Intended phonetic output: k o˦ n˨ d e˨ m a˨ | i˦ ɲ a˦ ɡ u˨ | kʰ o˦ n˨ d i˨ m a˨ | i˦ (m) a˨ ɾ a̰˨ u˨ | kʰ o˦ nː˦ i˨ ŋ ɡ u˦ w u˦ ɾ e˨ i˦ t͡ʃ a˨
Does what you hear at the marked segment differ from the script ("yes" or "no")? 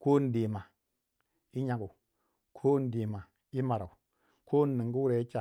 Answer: no